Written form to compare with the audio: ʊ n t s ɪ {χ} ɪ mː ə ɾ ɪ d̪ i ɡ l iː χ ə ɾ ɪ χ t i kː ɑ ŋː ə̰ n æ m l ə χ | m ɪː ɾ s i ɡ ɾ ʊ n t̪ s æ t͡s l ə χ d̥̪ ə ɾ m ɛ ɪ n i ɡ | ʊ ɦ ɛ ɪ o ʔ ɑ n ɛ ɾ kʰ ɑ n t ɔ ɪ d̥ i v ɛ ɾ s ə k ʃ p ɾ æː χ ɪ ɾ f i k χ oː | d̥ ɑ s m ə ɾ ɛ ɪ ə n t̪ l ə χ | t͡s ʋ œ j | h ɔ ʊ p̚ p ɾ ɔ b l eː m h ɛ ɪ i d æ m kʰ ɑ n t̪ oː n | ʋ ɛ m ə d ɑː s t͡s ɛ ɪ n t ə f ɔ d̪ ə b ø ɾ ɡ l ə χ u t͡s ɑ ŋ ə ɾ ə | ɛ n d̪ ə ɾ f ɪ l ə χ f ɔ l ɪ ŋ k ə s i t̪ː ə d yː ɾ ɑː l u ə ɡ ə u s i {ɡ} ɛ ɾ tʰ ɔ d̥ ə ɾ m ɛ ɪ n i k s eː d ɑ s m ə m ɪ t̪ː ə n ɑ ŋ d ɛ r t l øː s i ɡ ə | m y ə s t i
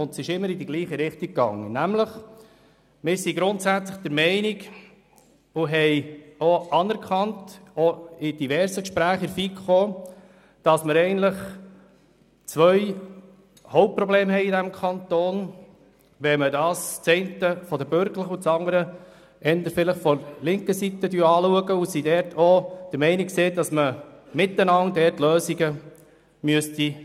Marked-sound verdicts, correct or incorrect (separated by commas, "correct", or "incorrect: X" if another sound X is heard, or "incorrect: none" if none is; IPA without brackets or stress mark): incorrect: ʃ, incorrect: d